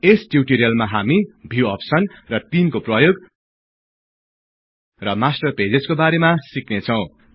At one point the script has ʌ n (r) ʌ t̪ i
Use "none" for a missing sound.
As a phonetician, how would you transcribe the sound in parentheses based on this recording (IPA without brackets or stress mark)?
r